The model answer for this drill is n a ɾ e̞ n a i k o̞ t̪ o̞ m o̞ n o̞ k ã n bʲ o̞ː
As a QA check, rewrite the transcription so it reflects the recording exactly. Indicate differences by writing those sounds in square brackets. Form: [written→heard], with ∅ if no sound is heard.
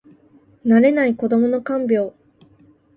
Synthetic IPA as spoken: n a ɾ e̞ n a i k o̞ [t̪→d̪] o̞ m o̞ n o̞ k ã [n→m] bʲ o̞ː